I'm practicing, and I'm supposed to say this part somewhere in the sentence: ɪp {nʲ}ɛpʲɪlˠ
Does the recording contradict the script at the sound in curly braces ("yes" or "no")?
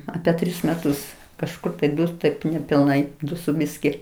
no